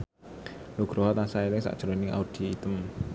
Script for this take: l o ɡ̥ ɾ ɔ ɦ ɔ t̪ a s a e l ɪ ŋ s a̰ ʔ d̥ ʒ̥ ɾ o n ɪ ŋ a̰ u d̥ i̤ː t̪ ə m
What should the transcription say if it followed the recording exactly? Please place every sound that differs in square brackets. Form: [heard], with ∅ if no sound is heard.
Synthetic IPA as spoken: l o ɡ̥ ɾ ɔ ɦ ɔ t̪ a s a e l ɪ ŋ s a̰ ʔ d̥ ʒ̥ ɾ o n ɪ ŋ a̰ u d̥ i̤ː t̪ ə m